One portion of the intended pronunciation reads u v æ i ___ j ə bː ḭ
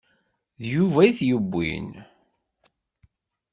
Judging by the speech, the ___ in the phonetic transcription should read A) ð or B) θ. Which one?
B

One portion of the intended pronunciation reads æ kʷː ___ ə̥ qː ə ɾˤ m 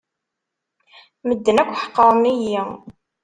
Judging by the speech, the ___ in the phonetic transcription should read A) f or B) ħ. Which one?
B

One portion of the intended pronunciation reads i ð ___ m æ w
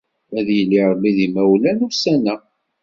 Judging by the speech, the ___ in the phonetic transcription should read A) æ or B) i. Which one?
B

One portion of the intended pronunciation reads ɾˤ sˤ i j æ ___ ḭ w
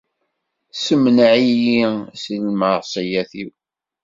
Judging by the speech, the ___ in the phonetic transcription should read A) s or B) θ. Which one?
B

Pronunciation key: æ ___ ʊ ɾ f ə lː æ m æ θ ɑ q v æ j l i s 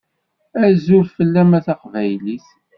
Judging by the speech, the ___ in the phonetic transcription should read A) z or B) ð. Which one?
A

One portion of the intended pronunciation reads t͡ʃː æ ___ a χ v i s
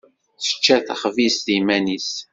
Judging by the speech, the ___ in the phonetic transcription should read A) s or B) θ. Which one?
B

